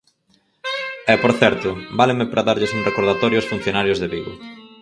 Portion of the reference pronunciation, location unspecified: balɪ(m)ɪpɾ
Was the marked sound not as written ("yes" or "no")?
no